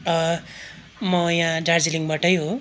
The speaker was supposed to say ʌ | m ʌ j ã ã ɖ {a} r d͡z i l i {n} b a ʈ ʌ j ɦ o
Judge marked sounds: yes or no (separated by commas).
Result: yes, no